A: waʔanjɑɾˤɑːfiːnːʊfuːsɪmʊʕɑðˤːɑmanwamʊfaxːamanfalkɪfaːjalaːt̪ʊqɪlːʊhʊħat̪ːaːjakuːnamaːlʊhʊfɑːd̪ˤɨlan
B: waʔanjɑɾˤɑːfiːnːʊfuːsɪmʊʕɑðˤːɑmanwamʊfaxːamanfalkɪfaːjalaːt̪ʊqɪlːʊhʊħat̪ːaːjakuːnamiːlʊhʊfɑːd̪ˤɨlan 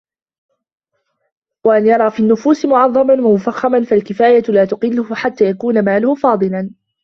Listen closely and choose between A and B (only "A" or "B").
A